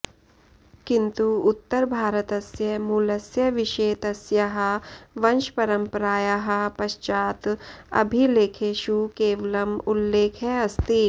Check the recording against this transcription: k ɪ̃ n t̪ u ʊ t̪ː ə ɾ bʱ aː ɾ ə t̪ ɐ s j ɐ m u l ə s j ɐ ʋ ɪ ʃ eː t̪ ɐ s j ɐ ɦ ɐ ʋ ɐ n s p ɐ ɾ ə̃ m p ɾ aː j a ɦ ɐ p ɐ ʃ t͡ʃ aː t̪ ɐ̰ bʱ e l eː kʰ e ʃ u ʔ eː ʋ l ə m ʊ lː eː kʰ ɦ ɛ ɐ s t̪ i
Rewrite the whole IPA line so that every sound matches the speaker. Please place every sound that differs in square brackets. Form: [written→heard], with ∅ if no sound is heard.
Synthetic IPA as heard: k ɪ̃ n t̪ u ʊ t̪ː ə ɾ bʱ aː ɾ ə t̪ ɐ s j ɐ m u l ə s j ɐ ʋ ɪ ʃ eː t̪ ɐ s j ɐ ɦ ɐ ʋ ɐ n [s→ʃ] p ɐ ɾ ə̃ m p ɾ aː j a ɦ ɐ p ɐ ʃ t͡ʃ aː t̪ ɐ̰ bʱ [e→i] l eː kʰ e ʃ u [ʔ→k] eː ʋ l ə m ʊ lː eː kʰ ɦ ɛ ɐ s t̪ i